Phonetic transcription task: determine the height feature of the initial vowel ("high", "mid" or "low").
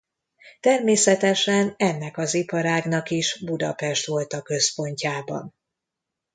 mid